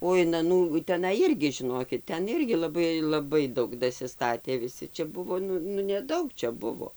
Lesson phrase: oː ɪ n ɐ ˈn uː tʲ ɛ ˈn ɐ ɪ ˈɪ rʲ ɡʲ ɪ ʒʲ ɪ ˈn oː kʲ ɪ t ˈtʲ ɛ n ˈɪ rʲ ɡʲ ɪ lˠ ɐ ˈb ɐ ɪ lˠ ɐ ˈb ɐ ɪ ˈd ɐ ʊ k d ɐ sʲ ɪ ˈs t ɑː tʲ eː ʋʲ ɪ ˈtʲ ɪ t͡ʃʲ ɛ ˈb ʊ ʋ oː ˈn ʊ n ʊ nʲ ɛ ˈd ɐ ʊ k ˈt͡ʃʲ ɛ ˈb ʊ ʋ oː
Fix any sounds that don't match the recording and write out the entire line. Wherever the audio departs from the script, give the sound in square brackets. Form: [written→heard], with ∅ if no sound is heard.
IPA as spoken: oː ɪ n ɐ ˈn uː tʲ ɛ ˈn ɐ ɪ ˈɪ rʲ ɡʲ ɪ ʒʲ ɪ ˈn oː kʲ ɪ t ˈtʲ ɛ n ˈɪ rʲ ɡʲ ɪ lˠ ɐ ˈb ɐ ɪ lˠ ɐ ˈb ɐ ɪ ˈd ɐ ʊ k d ɐ sʲ ɪ ˈs t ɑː tʲ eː ʋʲ ɪ [ˈtʲ→ˈsʲ] ɪ t͡ʃʲ ɛ ˈb ʊ ʋ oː ˈn ʊ n ʊ nʲ ɛ ˈd ɐ ʊ k ˈt͡ʃʲ ɛ ˈb ʊ ʋ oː